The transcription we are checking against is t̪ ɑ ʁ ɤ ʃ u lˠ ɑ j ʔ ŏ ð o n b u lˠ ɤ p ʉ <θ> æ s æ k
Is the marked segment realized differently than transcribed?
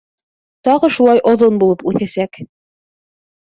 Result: no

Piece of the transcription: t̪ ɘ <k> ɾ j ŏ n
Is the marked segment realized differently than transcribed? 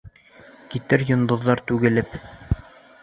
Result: yes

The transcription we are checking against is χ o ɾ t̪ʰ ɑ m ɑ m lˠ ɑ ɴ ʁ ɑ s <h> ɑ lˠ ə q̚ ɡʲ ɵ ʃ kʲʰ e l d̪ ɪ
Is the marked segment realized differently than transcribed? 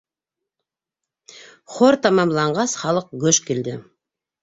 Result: yes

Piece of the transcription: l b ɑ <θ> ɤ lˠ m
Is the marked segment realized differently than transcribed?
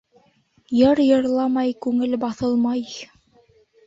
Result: no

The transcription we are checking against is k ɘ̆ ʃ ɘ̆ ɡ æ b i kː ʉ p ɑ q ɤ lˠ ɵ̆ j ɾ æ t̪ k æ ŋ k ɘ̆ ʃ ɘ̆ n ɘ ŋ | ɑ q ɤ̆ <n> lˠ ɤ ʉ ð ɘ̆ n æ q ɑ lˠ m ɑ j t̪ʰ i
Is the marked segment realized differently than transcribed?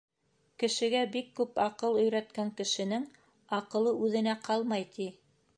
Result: yes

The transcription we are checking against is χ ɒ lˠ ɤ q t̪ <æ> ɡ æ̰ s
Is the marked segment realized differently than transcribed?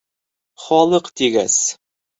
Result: yes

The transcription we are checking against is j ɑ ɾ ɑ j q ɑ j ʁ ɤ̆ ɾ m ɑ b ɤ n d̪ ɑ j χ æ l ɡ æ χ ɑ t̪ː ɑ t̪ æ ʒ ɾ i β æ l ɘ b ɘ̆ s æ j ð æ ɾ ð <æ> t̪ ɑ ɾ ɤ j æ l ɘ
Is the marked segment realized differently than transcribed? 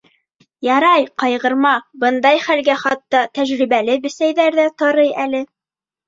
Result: no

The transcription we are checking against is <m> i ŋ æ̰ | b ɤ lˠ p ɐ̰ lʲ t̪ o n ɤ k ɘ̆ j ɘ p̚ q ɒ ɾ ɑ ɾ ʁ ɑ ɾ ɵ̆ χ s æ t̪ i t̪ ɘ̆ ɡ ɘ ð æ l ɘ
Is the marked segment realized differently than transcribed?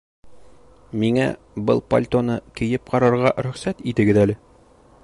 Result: no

